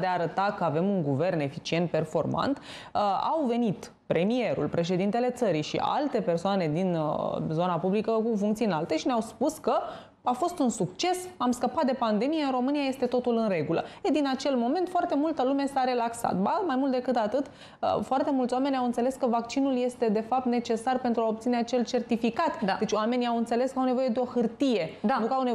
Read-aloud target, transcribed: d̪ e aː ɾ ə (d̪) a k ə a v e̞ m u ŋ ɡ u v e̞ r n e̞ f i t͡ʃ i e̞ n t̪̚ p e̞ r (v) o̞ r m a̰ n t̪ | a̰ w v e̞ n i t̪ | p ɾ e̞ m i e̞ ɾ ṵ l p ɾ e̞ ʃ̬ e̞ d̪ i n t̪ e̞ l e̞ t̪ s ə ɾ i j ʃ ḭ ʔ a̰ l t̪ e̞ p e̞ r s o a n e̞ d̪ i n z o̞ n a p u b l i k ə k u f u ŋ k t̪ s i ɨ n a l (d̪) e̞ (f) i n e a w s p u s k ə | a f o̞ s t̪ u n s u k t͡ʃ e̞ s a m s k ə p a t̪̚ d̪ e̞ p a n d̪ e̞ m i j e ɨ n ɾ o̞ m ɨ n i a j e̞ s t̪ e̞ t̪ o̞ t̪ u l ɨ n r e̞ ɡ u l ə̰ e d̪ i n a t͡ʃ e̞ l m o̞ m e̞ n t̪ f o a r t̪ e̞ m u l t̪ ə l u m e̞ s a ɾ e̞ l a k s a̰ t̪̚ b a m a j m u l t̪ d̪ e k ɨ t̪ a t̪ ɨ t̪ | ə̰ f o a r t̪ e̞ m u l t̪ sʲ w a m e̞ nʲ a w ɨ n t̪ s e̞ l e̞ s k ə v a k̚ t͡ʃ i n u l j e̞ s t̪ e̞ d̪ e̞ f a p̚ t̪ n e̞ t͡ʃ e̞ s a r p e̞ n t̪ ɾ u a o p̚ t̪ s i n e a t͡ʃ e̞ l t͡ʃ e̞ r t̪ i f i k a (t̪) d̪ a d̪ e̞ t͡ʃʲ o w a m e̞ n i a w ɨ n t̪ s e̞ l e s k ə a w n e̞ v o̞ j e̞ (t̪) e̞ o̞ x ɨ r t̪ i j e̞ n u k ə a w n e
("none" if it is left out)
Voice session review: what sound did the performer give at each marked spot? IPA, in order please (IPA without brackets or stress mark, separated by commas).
t̪, f, t̪, ʃ, t̪, d̪